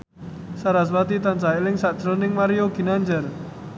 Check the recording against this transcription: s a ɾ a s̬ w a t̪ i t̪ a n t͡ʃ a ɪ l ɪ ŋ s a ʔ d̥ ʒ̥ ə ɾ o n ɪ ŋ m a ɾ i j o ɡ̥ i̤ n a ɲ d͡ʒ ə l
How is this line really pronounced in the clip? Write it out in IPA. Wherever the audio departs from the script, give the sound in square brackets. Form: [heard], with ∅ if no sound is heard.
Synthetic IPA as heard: s a ɾ a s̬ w a t̪ i t̪ a n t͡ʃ a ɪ l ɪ ŋ s a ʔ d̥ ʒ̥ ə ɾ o n ɪ ŋ m a ɾ i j o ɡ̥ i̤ n a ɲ d͡ʒ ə [r]